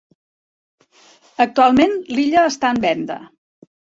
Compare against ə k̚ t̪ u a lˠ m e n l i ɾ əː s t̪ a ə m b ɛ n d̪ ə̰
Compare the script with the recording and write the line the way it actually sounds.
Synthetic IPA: ə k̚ t̪ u a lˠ m e n l i ʎ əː s t̪ a ə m b ɛ n d̪ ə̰